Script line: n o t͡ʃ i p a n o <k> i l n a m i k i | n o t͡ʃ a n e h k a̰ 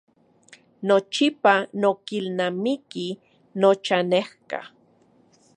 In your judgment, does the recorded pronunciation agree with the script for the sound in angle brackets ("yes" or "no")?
yes